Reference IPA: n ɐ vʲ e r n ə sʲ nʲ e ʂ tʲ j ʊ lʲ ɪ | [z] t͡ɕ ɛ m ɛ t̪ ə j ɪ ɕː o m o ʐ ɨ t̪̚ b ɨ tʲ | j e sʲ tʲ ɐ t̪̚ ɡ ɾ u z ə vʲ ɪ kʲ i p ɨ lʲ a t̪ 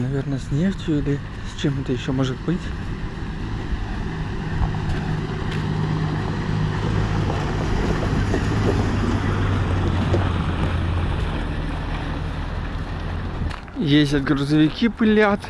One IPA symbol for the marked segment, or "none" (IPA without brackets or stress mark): s